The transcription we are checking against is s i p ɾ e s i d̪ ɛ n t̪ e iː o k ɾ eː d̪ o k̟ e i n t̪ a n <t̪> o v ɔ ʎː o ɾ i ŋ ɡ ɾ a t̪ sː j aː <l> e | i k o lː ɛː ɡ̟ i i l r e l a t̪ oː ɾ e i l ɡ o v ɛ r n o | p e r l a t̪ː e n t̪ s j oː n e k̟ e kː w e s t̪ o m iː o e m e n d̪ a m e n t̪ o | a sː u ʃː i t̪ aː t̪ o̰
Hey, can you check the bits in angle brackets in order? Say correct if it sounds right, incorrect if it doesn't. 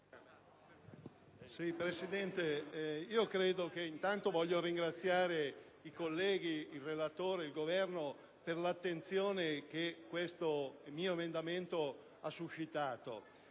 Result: correct, incorrect: ɾ

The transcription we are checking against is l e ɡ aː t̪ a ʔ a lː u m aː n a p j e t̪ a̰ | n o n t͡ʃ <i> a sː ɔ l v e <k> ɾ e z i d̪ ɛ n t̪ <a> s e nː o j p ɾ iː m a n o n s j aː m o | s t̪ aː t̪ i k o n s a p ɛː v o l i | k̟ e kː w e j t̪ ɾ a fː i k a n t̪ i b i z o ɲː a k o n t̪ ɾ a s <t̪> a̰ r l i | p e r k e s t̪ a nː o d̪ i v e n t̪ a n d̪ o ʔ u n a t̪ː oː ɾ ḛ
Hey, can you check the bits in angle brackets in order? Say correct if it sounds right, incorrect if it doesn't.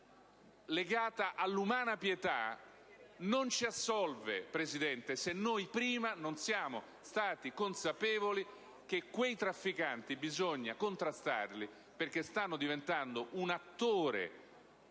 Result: correct, incorrect: p, incorrect: e, correct

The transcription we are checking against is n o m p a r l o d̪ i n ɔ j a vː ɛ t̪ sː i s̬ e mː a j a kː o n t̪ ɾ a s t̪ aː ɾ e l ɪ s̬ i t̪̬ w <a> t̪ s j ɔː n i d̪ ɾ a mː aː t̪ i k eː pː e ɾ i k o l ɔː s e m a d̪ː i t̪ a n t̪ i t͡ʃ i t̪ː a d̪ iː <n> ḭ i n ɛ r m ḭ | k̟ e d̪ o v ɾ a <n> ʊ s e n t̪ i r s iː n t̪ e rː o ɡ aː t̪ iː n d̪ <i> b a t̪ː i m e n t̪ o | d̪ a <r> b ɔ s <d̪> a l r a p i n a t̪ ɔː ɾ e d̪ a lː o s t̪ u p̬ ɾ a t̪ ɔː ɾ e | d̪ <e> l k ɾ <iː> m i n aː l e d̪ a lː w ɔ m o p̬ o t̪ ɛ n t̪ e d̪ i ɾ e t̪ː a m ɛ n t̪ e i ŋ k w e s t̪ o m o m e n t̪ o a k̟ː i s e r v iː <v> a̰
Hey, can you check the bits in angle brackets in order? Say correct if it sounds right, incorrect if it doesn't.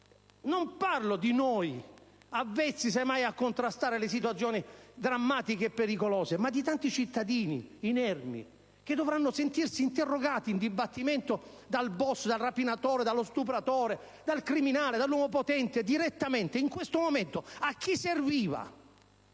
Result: correct, correct, incorrect: nː, correct, incorrect: l, correct, incorrect: a, incorrect: i, correct

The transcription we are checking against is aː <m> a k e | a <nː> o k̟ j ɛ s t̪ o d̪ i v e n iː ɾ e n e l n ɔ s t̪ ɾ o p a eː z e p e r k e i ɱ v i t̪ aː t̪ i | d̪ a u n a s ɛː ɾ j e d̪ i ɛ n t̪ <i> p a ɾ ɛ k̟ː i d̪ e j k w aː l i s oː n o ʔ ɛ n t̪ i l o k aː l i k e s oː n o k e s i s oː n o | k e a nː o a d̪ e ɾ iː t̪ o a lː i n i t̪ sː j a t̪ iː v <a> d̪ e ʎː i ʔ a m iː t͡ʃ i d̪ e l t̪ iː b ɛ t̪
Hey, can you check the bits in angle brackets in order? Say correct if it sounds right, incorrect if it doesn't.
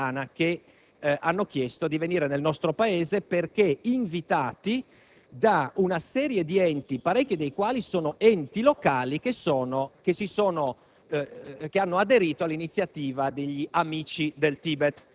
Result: incorrect: n, correct, correct, correct

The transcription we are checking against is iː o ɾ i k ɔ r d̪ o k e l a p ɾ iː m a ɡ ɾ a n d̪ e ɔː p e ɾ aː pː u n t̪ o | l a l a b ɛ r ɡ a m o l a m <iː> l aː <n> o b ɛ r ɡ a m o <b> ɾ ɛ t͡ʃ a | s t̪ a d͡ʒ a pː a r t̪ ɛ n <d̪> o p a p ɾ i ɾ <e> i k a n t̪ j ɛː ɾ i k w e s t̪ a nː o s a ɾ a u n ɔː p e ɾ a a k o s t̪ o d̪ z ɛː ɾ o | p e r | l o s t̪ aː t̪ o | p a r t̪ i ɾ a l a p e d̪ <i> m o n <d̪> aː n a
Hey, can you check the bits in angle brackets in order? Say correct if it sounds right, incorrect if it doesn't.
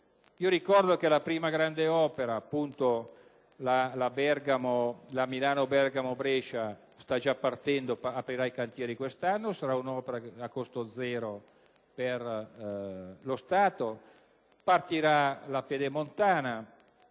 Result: incorrect: i, correct, correct, correct, incorrect: a, incorrect: e, incorrect: t̪

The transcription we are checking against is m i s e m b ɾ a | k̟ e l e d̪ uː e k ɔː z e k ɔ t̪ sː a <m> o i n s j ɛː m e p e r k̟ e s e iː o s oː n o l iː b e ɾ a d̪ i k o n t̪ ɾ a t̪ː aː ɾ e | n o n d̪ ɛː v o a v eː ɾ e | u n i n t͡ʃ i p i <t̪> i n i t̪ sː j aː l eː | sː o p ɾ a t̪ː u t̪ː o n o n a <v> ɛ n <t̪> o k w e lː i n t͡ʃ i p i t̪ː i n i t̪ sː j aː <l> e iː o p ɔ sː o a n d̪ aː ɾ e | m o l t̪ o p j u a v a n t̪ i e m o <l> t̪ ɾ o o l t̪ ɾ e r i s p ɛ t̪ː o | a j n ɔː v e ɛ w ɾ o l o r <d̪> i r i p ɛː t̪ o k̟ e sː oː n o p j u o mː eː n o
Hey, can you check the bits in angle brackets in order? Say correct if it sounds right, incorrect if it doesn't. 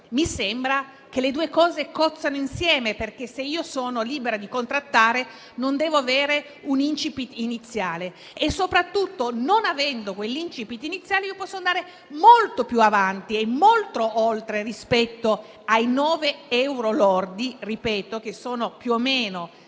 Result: incorrect: n, correct, correct, incorrect: d̪, correct, correct, correct

